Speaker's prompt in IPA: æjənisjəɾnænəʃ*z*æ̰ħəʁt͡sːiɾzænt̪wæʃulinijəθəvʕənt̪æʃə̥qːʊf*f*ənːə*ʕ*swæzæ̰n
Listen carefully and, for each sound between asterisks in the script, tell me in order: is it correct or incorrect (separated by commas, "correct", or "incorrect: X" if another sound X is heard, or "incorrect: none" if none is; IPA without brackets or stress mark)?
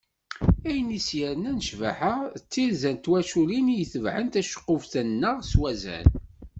incorrect: v, incorrect: θ, incorrect: ʁ